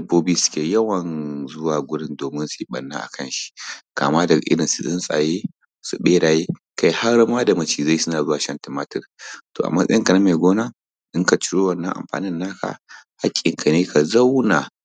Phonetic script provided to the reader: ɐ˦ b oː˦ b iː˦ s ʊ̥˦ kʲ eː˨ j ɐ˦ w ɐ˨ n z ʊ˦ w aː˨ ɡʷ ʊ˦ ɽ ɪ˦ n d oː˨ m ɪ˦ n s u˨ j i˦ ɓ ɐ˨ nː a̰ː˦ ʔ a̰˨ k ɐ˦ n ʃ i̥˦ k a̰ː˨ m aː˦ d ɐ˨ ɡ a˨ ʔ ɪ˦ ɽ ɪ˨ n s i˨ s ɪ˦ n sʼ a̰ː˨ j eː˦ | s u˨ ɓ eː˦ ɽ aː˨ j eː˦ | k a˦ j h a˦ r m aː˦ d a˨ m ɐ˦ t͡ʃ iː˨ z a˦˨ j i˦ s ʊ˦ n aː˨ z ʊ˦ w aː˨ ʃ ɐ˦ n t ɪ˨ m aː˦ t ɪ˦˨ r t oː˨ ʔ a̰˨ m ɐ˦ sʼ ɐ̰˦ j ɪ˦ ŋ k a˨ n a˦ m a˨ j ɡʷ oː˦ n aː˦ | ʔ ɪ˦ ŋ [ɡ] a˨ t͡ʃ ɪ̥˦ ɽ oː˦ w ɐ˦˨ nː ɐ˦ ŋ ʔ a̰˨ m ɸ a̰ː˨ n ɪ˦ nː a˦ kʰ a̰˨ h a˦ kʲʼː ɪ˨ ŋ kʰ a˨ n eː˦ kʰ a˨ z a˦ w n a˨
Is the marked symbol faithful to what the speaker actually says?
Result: no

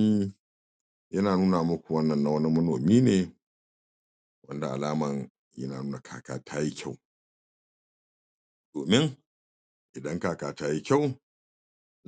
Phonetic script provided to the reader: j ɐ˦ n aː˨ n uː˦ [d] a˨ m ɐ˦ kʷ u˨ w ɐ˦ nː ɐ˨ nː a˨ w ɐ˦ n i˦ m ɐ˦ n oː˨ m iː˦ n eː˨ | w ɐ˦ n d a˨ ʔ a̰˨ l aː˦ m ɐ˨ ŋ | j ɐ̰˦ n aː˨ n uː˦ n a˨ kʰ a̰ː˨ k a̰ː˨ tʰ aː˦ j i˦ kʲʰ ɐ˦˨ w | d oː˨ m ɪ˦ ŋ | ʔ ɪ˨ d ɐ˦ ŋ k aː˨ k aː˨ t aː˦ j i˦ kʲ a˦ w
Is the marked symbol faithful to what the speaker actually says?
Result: no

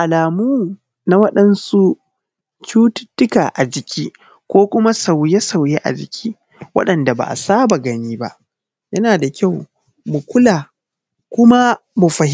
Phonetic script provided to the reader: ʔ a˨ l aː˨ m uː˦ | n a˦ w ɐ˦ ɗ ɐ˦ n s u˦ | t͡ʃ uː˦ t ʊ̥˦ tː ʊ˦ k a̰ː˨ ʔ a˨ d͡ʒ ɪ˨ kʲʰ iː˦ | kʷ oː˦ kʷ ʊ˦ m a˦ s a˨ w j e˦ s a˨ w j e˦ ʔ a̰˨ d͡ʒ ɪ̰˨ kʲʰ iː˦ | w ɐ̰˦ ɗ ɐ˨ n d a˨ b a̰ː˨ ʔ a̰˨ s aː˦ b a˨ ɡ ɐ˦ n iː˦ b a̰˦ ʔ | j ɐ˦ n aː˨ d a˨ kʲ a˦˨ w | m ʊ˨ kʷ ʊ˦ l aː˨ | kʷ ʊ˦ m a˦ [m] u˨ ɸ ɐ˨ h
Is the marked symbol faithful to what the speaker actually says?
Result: yes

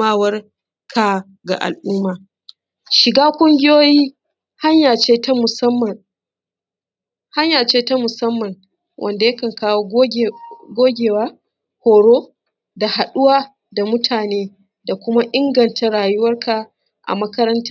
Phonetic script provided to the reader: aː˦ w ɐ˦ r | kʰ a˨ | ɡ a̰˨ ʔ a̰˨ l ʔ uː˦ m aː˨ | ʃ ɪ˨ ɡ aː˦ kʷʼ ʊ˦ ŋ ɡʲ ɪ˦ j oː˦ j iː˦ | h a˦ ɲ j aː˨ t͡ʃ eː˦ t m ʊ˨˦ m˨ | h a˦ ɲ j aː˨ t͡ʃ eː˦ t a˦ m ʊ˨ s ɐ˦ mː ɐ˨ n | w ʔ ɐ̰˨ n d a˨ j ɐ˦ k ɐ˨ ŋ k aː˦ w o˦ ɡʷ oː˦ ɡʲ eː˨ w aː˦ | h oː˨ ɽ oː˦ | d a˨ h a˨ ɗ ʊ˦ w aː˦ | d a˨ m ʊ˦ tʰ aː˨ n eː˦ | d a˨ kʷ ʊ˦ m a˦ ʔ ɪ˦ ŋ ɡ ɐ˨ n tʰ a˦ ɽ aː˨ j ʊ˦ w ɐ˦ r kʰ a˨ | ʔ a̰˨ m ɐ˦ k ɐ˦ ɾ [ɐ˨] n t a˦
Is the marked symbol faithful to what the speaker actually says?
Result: no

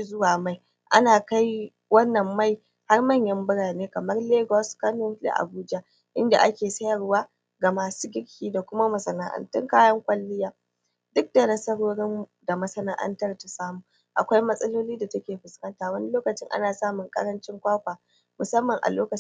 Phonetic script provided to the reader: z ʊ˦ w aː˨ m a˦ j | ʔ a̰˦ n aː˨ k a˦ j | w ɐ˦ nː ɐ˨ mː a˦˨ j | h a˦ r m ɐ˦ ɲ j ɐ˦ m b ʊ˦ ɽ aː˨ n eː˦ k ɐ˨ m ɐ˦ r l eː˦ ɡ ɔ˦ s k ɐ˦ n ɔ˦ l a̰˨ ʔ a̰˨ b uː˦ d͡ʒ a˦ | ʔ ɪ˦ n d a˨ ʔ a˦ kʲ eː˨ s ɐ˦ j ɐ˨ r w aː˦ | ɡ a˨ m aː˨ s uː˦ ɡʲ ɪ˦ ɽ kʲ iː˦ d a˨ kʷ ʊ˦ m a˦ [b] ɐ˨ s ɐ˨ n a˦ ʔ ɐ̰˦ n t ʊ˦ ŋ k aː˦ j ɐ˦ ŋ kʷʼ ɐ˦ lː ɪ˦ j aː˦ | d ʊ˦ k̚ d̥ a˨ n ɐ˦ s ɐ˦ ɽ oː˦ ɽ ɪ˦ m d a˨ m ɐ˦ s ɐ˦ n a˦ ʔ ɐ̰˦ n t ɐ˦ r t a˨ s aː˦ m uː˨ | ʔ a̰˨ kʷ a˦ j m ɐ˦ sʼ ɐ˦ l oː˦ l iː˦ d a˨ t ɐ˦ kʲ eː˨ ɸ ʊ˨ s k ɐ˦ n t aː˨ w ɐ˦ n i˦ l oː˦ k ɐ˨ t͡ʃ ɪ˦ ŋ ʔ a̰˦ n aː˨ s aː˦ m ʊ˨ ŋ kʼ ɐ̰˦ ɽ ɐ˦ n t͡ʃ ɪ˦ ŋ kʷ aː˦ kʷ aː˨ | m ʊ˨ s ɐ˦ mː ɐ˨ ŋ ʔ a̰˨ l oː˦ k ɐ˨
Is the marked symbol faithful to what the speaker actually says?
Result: no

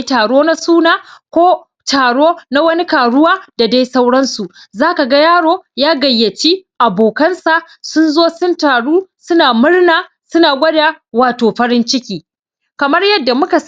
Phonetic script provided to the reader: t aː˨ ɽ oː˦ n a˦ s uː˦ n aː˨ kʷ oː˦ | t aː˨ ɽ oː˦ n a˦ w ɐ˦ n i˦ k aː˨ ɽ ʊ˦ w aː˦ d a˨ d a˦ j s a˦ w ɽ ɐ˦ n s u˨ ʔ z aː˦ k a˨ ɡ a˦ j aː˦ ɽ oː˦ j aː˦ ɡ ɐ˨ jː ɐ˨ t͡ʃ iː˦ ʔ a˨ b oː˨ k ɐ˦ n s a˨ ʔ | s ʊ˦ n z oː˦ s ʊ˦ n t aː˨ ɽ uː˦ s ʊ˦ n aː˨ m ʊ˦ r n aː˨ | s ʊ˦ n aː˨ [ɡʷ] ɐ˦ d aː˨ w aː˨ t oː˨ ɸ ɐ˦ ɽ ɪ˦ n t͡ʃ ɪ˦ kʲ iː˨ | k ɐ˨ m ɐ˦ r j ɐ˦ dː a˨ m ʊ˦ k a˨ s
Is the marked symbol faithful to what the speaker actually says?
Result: yes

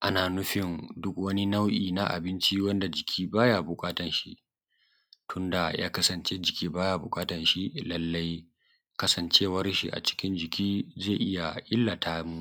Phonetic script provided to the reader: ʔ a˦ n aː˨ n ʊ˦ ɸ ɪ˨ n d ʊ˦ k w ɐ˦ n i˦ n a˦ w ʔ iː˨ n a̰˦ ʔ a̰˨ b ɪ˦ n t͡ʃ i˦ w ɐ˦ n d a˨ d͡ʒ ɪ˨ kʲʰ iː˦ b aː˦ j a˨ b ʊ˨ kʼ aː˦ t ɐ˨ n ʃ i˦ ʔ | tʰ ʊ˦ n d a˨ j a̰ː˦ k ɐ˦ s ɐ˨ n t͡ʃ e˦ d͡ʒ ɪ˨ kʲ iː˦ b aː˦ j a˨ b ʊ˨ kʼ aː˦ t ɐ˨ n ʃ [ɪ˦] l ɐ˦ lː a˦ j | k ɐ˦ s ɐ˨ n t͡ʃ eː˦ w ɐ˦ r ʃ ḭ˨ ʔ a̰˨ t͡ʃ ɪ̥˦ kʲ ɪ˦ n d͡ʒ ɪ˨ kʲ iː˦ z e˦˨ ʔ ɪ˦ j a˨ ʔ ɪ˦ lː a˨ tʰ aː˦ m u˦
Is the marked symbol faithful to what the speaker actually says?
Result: no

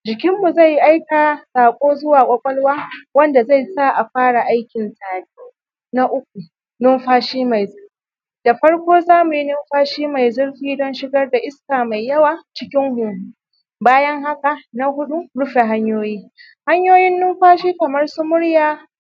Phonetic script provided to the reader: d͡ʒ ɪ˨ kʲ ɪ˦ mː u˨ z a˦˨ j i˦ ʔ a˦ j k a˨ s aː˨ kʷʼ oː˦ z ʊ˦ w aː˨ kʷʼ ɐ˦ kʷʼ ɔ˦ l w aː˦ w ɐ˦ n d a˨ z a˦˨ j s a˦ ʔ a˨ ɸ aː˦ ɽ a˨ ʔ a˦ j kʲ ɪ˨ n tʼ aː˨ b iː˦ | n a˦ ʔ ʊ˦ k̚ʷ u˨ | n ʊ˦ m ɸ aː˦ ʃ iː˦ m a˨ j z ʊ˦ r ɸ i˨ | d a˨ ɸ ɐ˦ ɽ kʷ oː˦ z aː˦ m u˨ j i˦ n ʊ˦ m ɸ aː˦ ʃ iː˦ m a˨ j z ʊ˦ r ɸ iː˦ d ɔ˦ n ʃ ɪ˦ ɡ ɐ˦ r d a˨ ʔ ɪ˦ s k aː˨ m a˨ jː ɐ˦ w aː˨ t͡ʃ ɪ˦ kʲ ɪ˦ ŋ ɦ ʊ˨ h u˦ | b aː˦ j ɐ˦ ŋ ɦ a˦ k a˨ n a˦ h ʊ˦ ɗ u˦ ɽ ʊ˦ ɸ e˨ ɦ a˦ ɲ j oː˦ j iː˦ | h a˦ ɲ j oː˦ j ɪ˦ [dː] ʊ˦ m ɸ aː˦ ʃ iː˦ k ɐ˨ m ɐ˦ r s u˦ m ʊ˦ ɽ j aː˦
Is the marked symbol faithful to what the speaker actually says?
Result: no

